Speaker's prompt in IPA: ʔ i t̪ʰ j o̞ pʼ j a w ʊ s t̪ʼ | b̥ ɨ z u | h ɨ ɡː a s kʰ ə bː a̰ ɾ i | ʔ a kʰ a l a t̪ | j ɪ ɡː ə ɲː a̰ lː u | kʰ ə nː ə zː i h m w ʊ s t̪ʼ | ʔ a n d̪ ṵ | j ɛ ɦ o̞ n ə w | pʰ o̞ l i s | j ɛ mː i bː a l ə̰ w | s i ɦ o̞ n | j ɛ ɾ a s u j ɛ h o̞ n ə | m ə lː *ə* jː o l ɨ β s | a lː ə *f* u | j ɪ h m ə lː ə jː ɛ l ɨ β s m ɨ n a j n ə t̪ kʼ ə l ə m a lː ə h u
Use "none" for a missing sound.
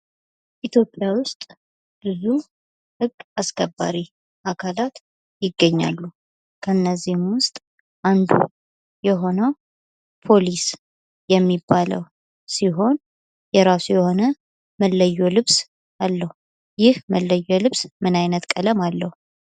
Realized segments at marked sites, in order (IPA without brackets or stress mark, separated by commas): ə, h